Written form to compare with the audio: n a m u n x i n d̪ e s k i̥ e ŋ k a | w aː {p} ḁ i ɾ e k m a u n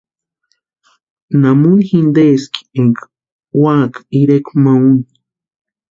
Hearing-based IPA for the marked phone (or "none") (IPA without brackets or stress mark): k